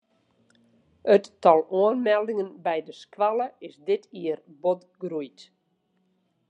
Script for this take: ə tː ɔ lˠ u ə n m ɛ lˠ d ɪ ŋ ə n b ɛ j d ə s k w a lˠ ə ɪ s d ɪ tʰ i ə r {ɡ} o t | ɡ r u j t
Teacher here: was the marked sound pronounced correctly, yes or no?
no